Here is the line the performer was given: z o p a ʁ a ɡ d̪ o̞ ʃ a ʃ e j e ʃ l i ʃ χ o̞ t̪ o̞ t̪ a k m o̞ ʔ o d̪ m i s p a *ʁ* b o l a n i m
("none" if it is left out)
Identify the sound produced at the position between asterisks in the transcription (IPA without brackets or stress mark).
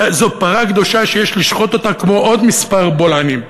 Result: ʁ